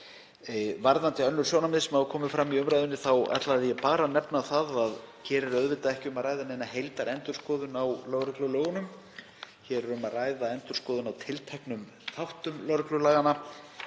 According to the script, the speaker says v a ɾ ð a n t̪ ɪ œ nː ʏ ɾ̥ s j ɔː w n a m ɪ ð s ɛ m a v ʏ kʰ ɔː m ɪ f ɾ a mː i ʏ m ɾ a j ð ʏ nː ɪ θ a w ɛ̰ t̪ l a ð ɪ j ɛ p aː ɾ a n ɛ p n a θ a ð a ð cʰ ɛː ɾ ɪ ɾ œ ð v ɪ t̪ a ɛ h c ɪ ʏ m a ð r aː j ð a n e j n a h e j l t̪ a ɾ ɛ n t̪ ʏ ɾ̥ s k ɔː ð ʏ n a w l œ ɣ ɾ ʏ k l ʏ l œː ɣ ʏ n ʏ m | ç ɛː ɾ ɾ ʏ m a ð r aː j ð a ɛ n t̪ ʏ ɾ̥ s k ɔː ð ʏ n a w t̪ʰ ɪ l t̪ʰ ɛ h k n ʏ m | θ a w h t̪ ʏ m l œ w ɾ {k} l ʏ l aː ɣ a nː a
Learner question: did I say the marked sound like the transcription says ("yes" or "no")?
yes